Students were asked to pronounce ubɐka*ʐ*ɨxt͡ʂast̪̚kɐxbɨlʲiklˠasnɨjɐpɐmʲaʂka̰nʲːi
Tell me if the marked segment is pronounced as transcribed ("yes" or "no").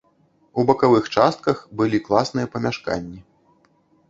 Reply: no